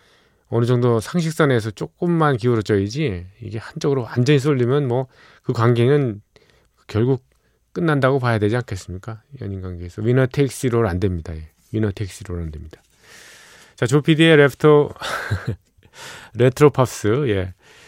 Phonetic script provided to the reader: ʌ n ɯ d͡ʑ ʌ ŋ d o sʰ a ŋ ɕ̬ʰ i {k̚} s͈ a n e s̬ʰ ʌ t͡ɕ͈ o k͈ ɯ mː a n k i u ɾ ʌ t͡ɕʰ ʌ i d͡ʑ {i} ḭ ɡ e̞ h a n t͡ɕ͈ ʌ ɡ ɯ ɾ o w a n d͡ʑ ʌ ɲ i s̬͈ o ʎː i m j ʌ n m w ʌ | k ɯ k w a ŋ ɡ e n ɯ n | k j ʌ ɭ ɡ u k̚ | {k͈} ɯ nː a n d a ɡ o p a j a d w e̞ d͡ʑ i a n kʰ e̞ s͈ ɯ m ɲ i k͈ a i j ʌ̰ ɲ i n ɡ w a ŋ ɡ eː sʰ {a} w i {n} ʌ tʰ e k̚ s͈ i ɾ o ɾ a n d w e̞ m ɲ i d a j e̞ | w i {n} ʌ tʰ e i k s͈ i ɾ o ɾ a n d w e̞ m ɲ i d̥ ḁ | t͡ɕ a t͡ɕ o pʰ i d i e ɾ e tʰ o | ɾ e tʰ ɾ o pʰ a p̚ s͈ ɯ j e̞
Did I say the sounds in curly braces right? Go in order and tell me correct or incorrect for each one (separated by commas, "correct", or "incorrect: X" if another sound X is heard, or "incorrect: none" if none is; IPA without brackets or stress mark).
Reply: correct, correct, correct, incorrect: ʌ, correct, correct